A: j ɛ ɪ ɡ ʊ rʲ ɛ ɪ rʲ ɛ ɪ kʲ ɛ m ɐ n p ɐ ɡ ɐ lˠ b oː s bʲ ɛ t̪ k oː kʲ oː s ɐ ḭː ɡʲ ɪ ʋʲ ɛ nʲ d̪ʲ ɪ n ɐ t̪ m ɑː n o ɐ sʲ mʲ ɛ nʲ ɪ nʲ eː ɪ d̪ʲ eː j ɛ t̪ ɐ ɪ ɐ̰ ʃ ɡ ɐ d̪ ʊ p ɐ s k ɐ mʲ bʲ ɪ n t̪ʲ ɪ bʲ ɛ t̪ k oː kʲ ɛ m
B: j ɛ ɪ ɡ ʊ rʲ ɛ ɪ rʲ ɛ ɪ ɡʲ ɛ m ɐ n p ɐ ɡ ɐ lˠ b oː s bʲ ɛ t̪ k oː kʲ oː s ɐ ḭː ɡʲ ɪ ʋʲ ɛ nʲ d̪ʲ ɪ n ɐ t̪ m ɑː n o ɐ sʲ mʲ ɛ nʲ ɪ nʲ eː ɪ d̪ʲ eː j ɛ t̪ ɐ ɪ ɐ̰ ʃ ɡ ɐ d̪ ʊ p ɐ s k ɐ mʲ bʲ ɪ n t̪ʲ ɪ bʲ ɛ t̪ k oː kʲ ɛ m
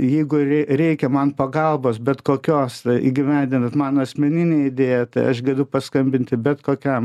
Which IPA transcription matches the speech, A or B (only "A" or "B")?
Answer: A